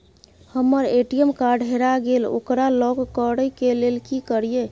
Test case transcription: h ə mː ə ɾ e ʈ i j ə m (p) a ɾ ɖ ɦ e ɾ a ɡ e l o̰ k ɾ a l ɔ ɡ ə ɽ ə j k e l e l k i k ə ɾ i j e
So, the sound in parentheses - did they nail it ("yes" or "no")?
no